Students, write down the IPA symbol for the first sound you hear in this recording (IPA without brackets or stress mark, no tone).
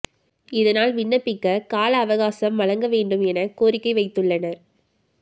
ɪ